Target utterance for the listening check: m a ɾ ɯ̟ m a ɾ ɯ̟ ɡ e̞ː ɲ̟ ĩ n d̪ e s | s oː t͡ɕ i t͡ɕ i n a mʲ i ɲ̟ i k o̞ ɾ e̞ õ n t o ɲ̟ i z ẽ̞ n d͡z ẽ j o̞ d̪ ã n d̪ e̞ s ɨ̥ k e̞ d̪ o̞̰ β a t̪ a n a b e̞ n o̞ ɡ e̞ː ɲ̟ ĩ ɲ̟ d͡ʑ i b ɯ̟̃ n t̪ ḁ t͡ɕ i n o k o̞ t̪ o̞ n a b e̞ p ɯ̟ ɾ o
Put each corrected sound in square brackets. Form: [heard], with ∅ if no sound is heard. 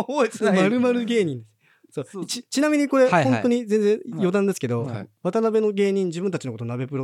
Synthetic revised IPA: m a ɾ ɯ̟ m a ɾ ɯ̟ ɡ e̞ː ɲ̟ ĩ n d̪ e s | s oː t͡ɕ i t͡ɕ i n a mʲ i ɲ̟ i k o̞ ɾ e̞ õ n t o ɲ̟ i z ẽ̞ n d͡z ẽ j o̞ d̪ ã n d̪ e̞ s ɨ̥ k e̞ d̪ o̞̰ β a t̪ a n a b e̞ n o̞ ɡ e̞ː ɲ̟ ĩ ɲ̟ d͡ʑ i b ɯ̟̃ n t̪ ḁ t͡ɕ i n o k o̞ t̪ o̞ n a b e̞ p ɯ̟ ɾ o